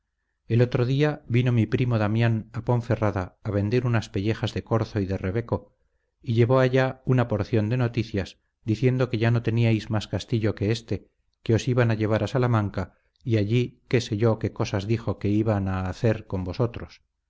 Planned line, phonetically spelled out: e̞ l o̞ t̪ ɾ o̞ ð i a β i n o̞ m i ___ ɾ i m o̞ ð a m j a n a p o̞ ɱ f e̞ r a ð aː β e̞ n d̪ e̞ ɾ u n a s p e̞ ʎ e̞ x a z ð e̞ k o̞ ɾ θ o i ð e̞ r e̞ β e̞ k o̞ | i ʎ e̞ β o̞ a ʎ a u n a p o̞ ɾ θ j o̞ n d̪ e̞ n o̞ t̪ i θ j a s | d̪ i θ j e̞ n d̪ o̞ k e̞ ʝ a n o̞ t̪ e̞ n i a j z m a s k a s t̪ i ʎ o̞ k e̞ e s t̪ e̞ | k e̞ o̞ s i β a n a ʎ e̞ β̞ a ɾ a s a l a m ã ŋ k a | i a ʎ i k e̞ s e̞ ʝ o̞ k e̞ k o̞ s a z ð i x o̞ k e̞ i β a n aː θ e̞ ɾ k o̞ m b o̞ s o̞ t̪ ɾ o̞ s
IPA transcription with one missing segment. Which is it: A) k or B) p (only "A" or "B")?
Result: B